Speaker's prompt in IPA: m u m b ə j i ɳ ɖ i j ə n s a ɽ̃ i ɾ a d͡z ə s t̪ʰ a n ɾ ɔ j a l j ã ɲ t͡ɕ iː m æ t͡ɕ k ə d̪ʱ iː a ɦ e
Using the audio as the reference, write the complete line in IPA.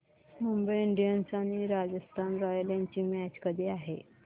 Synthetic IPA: m u m b ə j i ɳ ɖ i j ə n s a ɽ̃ i ɾ a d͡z ə s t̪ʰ a n ɾ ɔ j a l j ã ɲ t͡ɕ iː m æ t͡ɕ k ə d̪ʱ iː a ɦ e